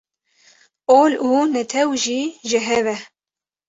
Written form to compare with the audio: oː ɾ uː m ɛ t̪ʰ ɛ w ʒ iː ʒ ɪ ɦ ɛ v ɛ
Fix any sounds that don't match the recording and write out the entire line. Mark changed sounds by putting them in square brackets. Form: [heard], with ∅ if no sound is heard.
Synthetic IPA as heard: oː [l] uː [n] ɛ t̪ʰ ɛ w ʒ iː ʒ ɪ ɦ ɛ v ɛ